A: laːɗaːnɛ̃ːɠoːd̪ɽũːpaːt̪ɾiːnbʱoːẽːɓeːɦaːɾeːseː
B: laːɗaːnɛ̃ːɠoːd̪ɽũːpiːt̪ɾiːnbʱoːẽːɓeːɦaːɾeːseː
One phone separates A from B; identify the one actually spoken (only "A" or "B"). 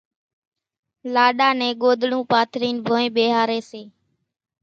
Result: A